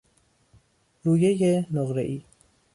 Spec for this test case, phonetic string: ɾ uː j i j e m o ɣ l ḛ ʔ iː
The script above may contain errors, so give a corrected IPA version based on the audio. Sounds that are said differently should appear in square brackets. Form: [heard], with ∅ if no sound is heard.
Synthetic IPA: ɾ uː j [e] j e [n] o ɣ [ɾ] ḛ ʔ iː